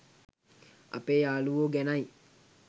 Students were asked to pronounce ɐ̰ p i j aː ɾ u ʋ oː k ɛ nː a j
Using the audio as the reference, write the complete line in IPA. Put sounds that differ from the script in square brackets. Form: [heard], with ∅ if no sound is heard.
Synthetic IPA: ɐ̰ p [e] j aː [l] u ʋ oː [ɡ] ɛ [n] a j